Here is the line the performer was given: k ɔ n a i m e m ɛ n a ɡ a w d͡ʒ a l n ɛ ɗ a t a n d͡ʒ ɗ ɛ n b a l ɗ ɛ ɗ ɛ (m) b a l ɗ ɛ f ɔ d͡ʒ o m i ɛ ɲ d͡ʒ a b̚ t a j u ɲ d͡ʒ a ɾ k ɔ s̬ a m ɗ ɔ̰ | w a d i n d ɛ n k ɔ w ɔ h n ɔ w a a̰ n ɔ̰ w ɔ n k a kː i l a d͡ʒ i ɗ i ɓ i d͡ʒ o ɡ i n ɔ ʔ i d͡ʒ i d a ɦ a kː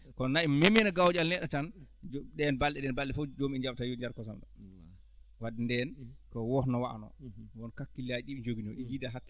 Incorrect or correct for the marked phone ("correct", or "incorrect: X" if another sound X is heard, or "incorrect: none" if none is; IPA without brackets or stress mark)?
incorrect: n